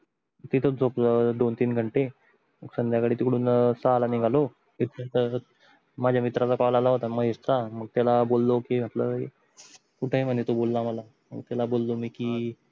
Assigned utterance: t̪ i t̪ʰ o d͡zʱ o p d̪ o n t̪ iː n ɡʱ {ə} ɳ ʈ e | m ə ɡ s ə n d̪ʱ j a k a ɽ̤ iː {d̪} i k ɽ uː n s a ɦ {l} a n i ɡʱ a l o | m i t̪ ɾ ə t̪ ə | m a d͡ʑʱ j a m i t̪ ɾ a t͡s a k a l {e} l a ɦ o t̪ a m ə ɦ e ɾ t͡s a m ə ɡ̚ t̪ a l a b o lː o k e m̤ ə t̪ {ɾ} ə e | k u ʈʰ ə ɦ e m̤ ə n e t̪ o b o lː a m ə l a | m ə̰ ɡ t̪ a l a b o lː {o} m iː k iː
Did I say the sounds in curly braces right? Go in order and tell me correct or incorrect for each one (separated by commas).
correct, incorrect, correct, incorrect, incorrect, correct